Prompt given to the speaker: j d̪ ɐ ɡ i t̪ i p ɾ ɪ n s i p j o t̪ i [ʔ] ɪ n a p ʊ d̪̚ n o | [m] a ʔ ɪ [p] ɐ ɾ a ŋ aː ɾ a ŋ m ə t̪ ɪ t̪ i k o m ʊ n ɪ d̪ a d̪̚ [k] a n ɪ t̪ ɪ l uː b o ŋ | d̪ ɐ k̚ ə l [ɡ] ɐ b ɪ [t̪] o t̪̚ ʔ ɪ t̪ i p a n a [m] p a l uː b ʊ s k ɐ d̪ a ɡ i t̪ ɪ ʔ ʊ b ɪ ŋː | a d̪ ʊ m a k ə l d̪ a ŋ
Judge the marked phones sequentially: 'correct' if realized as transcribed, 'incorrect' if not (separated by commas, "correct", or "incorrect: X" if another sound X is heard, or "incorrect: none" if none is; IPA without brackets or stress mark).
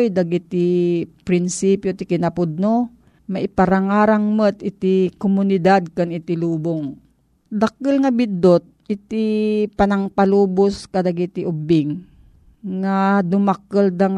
incorrect: k, correct, correct, correct, incorrect: ŋ, incorrect: d̪, incorrect: ŋ